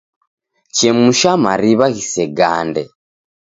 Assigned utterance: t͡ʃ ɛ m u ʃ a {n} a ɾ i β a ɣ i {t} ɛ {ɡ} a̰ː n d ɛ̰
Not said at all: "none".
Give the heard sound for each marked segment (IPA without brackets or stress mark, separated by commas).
m, s, ɡ